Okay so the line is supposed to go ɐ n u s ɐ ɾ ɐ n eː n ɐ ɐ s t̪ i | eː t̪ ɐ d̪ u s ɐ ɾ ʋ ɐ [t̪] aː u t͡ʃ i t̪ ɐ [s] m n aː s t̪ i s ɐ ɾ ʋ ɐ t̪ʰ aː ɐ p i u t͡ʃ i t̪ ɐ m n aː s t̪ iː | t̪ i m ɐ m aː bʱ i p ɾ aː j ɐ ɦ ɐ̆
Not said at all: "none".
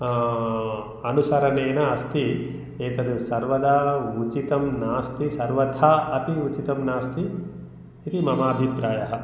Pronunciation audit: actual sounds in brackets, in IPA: d̪, none

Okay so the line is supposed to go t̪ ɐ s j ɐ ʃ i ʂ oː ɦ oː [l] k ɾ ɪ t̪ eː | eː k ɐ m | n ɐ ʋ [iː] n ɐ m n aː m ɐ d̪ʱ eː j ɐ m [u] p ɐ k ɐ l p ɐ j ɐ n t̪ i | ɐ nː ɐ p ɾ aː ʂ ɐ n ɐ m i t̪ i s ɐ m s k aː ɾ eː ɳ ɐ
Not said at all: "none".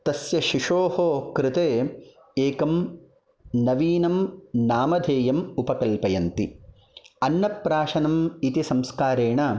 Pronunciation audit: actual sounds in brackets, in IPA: none, iː, u

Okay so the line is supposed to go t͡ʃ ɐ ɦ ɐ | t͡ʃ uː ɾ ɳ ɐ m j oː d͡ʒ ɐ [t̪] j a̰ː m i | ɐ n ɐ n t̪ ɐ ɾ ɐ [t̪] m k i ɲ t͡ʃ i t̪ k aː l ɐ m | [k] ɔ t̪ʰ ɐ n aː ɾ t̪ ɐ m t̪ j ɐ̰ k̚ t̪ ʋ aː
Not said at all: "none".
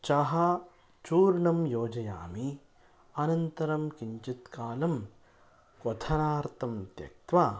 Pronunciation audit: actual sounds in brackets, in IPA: none, none, k

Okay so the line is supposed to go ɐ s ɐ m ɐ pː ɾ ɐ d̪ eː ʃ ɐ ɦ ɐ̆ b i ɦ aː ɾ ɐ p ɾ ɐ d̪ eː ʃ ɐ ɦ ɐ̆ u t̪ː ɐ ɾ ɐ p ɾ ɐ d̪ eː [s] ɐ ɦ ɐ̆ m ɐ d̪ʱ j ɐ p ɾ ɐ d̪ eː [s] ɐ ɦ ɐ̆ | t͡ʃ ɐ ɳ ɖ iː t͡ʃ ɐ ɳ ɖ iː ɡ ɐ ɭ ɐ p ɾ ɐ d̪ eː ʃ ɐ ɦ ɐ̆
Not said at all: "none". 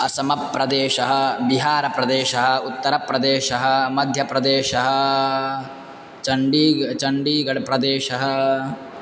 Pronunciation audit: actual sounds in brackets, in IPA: ʃ, ʃ

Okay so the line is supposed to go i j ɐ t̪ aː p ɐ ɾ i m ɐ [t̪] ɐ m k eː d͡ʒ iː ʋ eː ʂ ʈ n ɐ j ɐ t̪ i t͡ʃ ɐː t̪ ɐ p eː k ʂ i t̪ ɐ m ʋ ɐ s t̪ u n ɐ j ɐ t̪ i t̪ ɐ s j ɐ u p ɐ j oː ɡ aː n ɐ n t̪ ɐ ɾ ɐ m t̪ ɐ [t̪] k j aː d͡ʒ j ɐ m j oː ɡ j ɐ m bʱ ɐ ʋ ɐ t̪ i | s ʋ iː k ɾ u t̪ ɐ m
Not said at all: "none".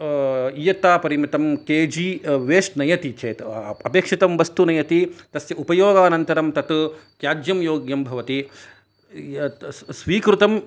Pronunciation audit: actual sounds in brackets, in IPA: t̪, t̪

